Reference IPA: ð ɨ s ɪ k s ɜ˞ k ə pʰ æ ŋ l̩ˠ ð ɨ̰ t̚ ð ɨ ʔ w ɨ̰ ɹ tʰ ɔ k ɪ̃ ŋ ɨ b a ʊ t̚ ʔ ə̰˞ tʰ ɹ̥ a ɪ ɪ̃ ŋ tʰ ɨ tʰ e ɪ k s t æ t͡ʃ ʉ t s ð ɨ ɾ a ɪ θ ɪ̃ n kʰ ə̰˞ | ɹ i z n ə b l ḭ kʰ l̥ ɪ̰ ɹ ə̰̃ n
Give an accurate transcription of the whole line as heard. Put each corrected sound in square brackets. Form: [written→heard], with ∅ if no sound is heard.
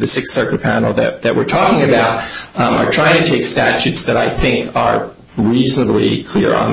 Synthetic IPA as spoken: ð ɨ s ɪ k s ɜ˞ k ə pʰ æ [ŋ→n] l̩ˠ ð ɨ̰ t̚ ð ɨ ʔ w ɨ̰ ɹ tʰ ɔ k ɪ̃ ŋ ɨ b a ʊ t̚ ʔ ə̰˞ tʰ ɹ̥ a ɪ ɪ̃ ŋ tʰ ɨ tʰ e ɪ k s t æ t͡ʃ ʉ t s ð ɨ ɾ a ɪ θ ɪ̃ [n→ŋ] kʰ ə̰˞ | ɹ i z n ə b l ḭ kʰ l̥ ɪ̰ ɹ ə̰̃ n

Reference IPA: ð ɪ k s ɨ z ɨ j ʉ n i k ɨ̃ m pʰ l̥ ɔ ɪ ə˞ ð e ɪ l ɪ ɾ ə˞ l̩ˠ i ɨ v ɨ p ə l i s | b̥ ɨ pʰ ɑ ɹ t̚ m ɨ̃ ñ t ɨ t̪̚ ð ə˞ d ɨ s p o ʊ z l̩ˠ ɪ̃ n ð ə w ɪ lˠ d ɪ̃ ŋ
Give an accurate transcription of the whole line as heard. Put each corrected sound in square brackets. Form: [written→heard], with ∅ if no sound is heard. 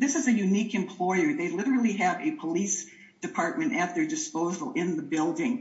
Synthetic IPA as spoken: ð ɪ [k→∅] s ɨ z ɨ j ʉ n i k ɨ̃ m pʰ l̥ ɔ ɪ ə˞ ð e ɪ l ɪ ɾ ə˞ l̩ˠ i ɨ v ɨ [p→pʰ] ə l i s | [b̥→d̥] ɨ pʰ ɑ ɹ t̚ m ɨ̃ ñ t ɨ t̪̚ ð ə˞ d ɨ s p o ʊ z l̩ˠ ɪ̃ n ð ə [w→b] ɪ lˠ d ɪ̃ ŋ

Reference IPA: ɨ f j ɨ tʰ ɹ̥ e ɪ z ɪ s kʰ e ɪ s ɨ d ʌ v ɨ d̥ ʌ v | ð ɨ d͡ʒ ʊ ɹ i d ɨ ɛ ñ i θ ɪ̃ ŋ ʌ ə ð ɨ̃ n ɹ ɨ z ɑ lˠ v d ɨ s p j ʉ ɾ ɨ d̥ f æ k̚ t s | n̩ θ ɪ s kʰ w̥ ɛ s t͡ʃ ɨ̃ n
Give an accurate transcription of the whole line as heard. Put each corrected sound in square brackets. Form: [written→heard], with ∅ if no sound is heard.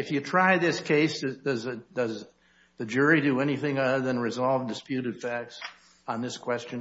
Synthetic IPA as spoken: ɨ f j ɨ tʰ ɹ̥ [e→a] ɪ [z→ð] ɪ s kʰ e ɪ s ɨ d ʌ [v→z] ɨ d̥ ʌ [v→z] | ð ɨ d͡ʒ ʊ ɹ i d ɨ ɛ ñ i θ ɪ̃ ŋ ʌ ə ð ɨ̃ n ɹ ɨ z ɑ lˠ v d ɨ s p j ʉ ɾ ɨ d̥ f æ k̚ t s | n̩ [θ→ð] ɪ s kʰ w̥ ɛ s t͡ʃ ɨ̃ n

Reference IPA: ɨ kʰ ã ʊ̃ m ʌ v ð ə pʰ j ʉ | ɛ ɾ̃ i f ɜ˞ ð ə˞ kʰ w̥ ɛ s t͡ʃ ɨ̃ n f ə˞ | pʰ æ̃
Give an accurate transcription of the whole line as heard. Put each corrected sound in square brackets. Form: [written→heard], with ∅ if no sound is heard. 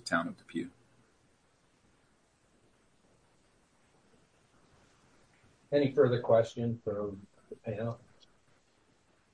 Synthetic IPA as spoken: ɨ [kʰ→tʰ] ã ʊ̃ [m→n] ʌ v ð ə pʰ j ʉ | ɛ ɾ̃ i f ɜ˞ ð ə˞ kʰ w̥ ɛ s t͡ʃ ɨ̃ n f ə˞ | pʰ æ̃

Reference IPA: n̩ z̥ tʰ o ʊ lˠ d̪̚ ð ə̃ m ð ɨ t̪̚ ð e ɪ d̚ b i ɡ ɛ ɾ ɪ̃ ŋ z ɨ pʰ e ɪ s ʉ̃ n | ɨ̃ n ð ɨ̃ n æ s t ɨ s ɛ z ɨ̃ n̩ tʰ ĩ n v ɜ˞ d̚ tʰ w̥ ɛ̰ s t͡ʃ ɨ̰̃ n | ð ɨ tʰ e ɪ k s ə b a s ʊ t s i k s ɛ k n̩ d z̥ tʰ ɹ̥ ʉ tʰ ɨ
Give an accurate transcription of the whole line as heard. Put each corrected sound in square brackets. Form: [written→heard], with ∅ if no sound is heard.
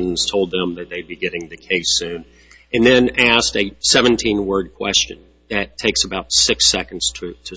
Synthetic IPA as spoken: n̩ z̥ tʰ o ʊ lˠ d̪̚ ð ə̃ m ð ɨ t̪̚ ð e ɪ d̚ b i ɡ ɛ ɾ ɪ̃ ŋ [z→ð] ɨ [pʰ→kʰ] e ɪ s ʉ̃ n | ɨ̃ n ð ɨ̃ n æ s t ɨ s ɛ [z→v] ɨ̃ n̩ tʰ ĩ n [v→w] ɜ˞ d̚ [tʰ→kʰ] w̥ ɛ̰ s t͡ʃ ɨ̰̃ n | ð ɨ tʰ e ɪ k s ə b a [s→∅] ʊ t s [i→ɪ] k s ɛ k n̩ d z̥ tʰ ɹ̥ ʉ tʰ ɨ

